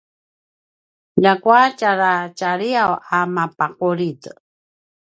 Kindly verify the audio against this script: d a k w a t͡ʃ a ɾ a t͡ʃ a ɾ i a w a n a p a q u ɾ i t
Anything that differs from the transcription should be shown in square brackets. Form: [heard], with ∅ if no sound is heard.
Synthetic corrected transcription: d a k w a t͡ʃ a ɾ a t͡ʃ a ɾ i a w a [m] a p a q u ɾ i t

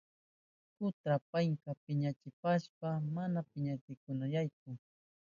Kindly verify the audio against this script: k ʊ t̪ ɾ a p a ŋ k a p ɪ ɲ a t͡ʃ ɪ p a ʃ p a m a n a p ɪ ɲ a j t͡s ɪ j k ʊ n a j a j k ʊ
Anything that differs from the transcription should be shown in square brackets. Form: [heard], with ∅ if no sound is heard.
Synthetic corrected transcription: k ʊ t̪ ɾ a p a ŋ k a p ɪ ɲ a t͡ʃ ɪ p a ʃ p a m a n a p ɪ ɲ a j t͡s ɪ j k ʊ n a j a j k ʊ

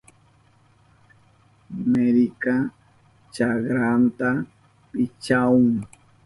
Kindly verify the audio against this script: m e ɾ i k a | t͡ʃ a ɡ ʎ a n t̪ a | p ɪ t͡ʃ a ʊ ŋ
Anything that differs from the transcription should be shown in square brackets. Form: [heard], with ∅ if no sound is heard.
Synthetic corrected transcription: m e ɾ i k a | t͡ʃ a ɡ [ɾ] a n t̪ a | p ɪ t͡ʃ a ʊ ŋ

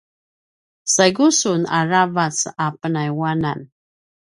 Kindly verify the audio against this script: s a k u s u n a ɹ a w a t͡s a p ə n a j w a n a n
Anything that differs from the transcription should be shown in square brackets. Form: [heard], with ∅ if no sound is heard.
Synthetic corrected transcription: s a [ɡ] u s u n a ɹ a [v] a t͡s a p ə n a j w a n a n

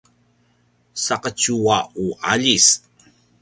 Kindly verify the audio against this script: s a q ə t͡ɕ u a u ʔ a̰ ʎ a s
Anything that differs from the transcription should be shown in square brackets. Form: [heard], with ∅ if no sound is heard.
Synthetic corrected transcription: s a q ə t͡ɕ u a u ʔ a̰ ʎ [i] s

